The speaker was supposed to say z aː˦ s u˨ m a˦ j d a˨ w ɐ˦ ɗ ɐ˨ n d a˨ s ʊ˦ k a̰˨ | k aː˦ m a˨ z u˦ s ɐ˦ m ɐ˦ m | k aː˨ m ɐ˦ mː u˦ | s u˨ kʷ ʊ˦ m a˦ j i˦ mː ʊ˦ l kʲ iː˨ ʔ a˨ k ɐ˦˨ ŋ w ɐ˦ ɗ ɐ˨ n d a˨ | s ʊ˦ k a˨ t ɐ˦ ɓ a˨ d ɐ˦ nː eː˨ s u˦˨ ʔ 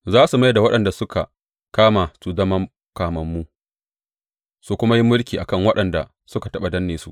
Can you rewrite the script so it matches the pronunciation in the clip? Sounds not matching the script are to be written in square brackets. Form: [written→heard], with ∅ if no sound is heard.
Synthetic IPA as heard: z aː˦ s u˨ m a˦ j d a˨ w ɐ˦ ɗ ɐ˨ n d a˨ s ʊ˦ k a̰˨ | k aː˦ m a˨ [z→s] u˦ [s→z] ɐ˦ m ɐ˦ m | k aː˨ m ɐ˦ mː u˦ | s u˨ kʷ ʊ˦ m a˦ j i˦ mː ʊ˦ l kʲ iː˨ ʔ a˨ k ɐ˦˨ ŋ w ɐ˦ ɗ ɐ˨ n d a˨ | s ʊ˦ k a˨ t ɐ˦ ɓ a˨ d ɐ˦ nː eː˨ s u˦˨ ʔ